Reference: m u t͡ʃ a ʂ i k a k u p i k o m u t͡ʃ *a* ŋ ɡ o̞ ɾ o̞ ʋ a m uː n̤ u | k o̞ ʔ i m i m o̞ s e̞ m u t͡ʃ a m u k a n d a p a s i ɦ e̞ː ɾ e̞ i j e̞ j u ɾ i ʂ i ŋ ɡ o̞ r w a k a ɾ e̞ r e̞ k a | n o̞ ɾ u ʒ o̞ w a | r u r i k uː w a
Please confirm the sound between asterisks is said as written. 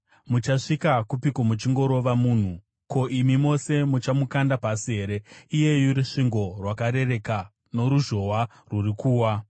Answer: no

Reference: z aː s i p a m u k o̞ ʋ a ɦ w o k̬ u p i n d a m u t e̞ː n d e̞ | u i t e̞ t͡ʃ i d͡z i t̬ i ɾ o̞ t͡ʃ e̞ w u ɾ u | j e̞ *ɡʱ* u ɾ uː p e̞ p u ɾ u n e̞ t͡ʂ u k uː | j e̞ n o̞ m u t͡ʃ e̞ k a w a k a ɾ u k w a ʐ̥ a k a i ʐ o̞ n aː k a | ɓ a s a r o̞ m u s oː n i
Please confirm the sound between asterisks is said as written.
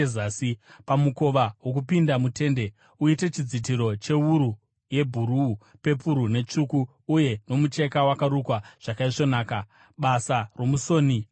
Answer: no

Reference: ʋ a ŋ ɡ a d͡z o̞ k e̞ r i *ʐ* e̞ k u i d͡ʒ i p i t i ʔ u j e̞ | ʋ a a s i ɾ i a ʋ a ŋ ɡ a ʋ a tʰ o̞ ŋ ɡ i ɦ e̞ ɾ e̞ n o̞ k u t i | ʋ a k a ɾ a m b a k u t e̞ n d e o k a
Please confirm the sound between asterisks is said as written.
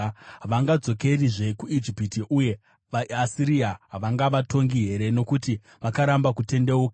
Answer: yes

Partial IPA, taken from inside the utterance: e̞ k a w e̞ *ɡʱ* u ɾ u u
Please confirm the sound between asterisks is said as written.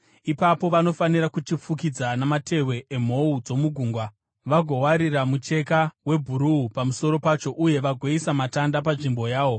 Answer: no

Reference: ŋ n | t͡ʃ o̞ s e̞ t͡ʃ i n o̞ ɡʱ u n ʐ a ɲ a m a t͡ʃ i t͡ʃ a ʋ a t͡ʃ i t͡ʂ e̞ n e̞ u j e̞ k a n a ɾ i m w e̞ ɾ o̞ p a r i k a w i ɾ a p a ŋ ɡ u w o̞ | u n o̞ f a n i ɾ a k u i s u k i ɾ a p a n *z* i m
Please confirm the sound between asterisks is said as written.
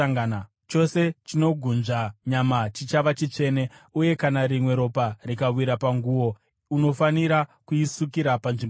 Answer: no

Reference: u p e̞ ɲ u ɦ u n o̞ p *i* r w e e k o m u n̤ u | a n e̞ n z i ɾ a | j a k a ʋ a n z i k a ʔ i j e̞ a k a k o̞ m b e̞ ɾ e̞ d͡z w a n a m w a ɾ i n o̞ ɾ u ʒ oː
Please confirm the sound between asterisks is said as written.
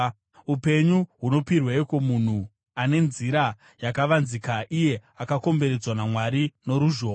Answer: yes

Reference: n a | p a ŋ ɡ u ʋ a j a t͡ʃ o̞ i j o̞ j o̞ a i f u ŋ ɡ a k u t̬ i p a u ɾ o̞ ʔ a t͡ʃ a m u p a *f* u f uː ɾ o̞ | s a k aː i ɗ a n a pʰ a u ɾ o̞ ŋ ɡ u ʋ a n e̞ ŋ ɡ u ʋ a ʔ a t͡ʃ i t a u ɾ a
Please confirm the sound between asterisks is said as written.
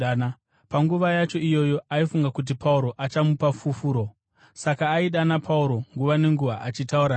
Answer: yes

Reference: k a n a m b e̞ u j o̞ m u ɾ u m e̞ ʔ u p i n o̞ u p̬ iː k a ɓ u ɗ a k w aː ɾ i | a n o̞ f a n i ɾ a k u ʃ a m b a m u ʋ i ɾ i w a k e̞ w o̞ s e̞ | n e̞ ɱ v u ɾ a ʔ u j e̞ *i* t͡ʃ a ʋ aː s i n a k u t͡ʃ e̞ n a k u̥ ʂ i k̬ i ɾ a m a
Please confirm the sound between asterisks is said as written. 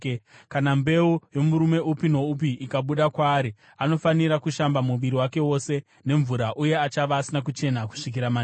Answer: no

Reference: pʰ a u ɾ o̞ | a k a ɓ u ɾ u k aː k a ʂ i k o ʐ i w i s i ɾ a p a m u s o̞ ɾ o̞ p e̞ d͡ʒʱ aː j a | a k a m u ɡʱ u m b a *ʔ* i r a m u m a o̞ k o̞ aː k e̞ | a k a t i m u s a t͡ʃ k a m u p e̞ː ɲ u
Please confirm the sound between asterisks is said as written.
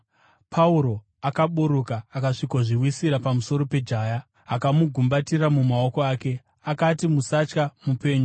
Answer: no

